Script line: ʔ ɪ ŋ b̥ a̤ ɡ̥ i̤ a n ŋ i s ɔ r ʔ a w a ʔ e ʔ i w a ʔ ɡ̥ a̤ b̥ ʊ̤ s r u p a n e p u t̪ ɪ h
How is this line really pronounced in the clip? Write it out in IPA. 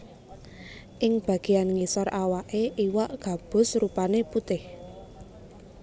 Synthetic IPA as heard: ʔ ɪ ŋ b̥ a̤ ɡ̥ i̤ a n ŋ i s ɔ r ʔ a w a ʔ e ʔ i w a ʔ ɡ̥ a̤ b̥ ʊ̤ s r u p a n e p u t̪ ɪ h